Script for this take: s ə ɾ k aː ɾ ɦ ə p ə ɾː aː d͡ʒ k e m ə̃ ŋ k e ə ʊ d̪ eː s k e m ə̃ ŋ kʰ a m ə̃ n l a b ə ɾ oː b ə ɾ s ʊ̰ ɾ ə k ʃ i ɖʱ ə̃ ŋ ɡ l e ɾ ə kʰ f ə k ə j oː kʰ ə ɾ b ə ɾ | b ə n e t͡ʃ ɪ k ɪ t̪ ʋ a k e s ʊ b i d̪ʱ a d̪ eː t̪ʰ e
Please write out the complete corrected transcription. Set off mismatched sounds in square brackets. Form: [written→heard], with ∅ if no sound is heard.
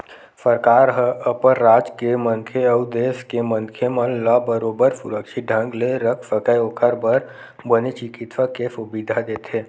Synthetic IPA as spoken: s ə ɾ k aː ɾ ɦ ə p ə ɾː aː d͡ʒ k e m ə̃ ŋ [k→kʰ] e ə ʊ d̪ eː s k e m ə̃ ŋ kʰ [a→e] m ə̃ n l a b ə ɾ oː b ə ɾ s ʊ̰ ɾ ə k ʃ i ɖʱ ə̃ ŋ ɡ l e ɾ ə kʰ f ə k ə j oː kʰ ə ɾ b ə ɾ | b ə n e t͡ʃ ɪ k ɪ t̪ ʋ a k e s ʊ b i d̪ʱ a d̪ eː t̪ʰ e